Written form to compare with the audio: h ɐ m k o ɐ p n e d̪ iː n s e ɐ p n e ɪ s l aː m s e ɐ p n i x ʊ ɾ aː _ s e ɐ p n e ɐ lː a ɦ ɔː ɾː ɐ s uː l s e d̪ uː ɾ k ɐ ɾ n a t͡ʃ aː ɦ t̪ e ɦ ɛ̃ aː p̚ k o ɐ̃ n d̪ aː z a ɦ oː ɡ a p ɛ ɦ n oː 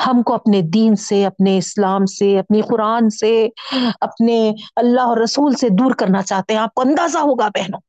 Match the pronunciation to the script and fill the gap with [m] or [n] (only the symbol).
n